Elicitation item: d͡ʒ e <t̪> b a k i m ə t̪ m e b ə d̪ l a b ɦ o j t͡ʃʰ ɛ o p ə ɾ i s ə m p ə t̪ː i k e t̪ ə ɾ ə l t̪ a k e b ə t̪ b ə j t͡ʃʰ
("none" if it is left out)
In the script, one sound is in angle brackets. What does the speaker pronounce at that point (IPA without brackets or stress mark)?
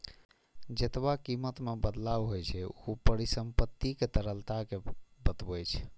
t̪